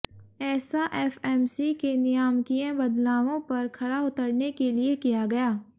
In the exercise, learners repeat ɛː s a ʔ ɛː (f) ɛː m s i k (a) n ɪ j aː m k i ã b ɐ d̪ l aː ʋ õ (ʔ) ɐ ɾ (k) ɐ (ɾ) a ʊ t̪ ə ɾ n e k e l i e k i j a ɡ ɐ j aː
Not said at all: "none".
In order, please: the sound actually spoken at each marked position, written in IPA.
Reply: f, e, p, kʰ, ɽ

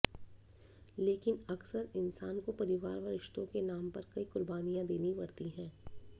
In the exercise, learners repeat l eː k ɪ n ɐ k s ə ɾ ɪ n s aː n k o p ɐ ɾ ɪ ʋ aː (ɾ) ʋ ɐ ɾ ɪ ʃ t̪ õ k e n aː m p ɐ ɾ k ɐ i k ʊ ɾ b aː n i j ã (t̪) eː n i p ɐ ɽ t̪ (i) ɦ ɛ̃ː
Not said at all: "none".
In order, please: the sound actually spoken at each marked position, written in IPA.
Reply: ɾ, d̪, i

